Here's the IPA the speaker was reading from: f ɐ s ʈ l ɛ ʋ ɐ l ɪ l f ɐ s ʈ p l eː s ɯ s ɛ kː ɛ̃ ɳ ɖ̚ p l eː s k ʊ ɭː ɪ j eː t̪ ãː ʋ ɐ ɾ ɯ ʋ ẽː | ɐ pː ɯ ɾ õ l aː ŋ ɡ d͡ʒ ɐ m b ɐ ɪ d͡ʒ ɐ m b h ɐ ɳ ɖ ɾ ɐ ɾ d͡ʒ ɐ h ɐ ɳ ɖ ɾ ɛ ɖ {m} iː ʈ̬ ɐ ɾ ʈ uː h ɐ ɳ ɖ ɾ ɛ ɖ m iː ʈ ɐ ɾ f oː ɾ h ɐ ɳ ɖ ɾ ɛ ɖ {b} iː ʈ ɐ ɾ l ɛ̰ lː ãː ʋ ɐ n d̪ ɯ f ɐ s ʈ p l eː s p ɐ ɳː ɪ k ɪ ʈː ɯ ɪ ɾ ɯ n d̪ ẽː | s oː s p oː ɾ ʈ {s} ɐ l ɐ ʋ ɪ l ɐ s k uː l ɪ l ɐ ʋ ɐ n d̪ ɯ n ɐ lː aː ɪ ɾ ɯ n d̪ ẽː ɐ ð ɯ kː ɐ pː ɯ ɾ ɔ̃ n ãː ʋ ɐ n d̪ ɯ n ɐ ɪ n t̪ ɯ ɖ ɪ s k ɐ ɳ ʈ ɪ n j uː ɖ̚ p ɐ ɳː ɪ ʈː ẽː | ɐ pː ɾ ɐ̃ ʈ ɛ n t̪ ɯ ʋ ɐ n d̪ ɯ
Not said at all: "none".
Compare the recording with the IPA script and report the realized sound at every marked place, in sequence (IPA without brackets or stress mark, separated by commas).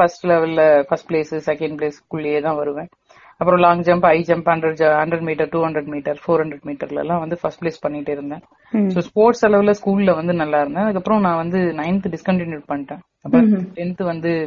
m, m, s